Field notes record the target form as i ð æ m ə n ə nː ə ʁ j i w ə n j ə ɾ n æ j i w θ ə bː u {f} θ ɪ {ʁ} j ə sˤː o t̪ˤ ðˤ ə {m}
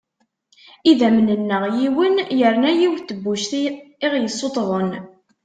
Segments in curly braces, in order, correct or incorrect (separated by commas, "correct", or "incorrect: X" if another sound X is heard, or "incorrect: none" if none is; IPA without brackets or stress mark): incorrect: ʃ, correct, incorrect: n